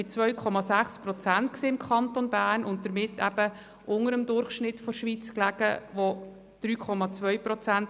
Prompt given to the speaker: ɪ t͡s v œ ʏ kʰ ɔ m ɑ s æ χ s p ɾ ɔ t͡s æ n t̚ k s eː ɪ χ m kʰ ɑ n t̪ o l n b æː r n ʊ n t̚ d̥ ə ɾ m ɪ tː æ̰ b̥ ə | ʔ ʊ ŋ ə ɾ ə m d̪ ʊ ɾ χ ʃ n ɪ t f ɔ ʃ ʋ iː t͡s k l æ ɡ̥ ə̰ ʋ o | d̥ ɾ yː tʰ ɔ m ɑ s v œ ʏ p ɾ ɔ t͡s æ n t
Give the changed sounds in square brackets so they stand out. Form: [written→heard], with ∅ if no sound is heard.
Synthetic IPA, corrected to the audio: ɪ t͡s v œ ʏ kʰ ɔ m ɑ s æ χ s p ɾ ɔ t͡s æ n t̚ k s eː ɪ [χ→∅] m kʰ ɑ n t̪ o [l→∅] n b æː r n ʊ n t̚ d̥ ə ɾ m ɪ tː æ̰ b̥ ə | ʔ ʊ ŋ ə ɾ ə m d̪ ʊ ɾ χ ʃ n ɪ t f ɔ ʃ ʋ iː t͡s k l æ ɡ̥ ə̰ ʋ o | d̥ ɾ yː [tʰ→kʰ] ɔ m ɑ [s→t͡s] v œ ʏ p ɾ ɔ t͡s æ n t